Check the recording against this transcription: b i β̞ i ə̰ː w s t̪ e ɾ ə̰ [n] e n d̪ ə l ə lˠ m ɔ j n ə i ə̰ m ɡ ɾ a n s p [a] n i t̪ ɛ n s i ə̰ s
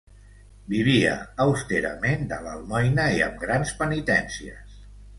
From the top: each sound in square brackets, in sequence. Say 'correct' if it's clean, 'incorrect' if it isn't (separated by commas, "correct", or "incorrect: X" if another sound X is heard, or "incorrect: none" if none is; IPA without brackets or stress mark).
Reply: incorrect: m, incorrect: ə